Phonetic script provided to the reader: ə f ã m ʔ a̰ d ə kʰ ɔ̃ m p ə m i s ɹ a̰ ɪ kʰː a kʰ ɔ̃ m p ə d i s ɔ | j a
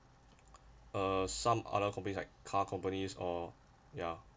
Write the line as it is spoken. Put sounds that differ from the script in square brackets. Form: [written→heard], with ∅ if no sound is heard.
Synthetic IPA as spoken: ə [f→s] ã m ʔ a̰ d ə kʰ ɔ̃ m p ə [m→n] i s [ɹ→l] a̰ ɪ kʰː a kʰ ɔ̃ m p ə [d→n] i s ɔ | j a

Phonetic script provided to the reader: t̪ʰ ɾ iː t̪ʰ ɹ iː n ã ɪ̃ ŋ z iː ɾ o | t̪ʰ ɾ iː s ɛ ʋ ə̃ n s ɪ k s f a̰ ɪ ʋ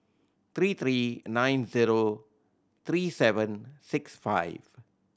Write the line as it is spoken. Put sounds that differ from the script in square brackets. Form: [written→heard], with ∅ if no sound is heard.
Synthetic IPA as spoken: t̪ʰ ɾ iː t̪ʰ [ɹ→ɾ] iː n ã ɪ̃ [ŋ→n] z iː ɾ o | t̪ʰ ɾ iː s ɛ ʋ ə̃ n s ɪ k s f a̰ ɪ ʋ

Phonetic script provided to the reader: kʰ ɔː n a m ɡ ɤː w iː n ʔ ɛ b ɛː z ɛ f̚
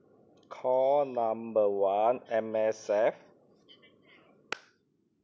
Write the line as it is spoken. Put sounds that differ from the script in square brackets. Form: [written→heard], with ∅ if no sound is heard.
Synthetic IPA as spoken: kʰ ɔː n a m [ɡ→b] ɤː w [iː→aː] n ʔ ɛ [b→m] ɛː [z→s] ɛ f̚

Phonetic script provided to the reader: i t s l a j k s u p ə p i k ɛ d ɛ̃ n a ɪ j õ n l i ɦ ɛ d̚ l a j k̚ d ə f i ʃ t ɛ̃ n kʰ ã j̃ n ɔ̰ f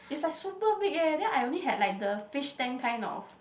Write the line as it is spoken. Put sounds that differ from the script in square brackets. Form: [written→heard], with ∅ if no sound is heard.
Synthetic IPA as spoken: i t s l a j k s u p ə [p→b] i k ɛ d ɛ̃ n a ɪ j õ n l i ɦ ɛ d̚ l a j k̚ d ə f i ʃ t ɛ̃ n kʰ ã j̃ n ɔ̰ f

